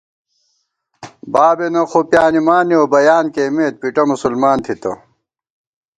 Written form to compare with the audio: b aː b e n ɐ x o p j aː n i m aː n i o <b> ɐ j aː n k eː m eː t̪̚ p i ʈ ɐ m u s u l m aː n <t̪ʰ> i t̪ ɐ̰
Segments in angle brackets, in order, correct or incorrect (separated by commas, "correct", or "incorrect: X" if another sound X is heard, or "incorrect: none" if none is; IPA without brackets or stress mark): correct, correct